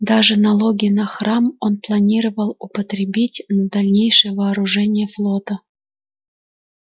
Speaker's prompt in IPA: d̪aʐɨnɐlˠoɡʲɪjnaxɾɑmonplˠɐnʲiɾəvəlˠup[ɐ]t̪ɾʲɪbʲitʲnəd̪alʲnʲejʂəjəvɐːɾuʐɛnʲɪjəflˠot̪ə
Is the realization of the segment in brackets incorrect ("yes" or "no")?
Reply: yes